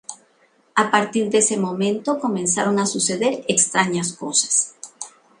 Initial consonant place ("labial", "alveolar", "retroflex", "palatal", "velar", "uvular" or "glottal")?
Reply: labial